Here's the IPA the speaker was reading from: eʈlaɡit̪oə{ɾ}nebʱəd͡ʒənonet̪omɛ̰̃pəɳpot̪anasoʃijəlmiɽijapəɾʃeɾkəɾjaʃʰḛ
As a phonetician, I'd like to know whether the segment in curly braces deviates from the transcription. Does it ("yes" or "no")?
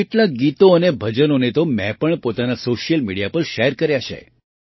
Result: yes